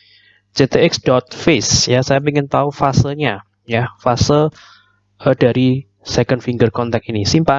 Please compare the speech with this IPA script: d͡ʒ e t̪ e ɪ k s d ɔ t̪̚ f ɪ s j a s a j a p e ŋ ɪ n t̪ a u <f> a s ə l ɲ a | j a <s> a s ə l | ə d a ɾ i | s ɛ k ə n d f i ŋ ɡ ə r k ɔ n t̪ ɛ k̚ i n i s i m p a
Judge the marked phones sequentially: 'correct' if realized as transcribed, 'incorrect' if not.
correct, incorrect

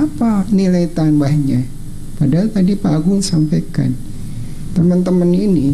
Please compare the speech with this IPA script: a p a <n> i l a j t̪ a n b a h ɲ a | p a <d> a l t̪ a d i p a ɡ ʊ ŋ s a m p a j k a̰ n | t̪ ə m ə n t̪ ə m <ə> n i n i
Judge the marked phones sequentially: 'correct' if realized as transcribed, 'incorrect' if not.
correct, correct, correct

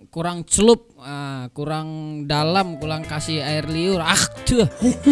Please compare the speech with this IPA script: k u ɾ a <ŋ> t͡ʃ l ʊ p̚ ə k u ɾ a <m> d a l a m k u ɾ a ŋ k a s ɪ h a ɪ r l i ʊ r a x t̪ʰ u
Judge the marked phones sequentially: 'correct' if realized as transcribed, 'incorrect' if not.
correct, incorrect

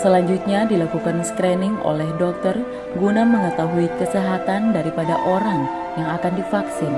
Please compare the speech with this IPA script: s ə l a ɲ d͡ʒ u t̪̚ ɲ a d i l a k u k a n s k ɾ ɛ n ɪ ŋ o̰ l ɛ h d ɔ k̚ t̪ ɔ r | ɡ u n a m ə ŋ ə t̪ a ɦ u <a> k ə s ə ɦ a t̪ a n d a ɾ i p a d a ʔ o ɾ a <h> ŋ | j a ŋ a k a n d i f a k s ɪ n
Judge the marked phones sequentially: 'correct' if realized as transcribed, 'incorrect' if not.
incorrect, incorrect

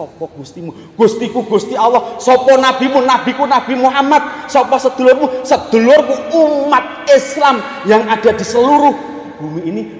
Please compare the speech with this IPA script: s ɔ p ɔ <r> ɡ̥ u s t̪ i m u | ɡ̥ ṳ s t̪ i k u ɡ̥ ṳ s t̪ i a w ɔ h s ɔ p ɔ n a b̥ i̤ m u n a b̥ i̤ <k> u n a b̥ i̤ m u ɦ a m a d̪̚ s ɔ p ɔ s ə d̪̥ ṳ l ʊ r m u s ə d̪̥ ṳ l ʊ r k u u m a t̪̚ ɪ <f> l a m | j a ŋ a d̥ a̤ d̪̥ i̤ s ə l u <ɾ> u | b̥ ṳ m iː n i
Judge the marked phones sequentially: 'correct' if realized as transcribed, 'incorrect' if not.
incorrect, correct, incorrect, correct

